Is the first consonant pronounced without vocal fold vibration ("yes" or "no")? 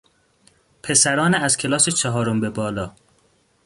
yes